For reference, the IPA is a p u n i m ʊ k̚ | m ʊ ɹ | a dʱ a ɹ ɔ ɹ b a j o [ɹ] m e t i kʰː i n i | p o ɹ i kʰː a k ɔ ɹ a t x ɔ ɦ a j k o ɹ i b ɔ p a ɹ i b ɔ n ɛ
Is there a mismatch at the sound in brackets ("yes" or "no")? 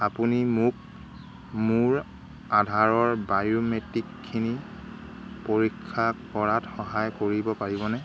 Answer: yes